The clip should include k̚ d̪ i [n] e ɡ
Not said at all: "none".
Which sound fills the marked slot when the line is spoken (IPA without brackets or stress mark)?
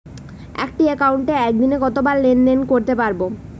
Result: n